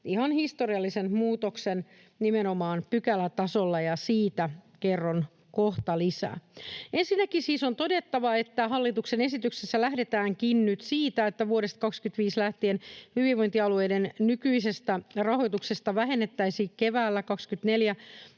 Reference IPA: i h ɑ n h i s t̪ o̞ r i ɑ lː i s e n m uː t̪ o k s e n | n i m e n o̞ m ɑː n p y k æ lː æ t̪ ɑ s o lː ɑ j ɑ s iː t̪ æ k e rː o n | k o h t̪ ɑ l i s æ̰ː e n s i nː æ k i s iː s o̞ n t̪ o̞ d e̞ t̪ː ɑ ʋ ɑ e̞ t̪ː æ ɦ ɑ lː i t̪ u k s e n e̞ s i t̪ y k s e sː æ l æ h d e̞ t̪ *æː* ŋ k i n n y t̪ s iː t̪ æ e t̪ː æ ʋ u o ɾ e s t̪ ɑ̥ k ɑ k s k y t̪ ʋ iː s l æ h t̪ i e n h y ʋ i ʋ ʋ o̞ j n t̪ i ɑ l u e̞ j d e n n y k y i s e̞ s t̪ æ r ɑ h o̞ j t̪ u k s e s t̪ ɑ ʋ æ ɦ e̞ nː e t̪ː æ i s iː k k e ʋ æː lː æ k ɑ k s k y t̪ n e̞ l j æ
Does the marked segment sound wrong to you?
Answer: no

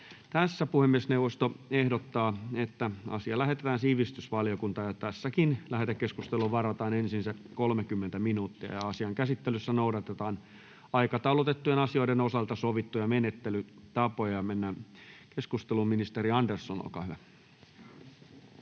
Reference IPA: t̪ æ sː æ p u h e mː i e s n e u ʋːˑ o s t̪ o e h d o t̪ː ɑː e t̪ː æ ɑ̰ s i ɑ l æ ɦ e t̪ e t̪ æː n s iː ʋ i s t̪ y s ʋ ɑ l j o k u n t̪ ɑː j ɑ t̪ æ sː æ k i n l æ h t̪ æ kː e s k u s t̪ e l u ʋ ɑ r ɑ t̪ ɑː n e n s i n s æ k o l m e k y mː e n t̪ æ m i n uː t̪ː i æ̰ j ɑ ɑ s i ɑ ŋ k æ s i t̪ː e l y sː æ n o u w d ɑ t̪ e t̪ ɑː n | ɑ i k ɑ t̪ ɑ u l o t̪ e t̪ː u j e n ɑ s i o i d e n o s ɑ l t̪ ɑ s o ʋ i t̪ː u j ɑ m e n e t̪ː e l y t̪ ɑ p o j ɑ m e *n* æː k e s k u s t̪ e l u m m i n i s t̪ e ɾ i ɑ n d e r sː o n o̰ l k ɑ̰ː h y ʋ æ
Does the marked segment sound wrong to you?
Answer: yes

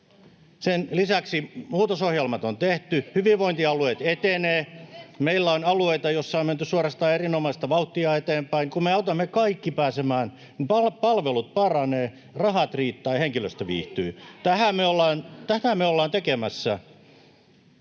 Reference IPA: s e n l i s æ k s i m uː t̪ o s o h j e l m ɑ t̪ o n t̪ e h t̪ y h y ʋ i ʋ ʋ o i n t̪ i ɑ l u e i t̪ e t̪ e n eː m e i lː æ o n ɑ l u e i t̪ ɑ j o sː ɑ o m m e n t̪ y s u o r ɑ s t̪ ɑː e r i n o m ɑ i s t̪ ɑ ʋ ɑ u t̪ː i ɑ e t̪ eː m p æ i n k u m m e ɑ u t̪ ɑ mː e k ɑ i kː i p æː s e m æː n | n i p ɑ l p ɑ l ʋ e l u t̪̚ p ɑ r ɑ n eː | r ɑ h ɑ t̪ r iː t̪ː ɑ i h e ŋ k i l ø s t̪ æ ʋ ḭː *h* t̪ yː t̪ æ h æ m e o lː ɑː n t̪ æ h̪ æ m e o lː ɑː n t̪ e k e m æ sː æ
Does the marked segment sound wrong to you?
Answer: no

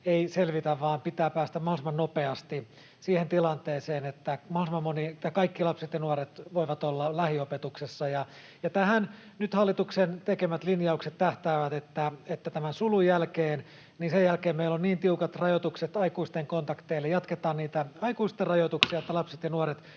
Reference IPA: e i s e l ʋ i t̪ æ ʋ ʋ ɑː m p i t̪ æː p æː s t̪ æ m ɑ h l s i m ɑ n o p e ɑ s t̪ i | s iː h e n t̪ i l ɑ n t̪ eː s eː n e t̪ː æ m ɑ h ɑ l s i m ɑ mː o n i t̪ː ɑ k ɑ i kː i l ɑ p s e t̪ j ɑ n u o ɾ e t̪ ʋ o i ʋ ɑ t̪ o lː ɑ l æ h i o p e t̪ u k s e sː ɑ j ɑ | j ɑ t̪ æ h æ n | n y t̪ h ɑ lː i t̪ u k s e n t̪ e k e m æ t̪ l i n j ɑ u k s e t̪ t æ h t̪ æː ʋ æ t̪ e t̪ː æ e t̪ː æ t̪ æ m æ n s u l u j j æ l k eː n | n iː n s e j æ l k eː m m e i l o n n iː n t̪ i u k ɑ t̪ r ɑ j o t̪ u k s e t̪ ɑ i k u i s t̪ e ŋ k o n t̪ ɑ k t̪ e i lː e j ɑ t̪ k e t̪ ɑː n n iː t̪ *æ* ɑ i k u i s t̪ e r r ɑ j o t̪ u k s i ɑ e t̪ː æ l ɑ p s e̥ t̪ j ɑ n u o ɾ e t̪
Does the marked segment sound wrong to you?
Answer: no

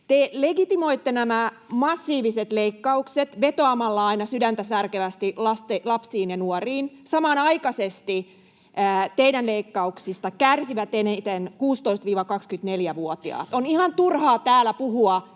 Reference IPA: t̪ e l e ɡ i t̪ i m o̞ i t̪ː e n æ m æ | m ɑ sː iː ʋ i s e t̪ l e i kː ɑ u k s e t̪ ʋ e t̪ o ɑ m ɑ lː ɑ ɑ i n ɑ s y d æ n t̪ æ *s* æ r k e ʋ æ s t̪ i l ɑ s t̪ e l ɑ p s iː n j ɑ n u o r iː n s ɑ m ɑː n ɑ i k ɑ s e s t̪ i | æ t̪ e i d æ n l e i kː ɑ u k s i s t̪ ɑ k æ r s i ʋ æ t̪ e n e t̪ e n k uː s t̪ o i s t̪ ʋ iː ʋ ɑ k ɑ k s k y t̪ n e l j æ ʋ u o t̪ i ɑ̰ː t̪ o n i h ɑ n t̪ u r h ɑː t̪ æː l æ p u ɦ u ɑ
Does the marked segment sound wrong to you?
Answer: no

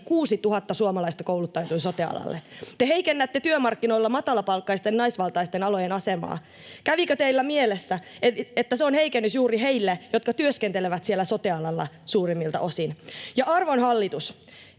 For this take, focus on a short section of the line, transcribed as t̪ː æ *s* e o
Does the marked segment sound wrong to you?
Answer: no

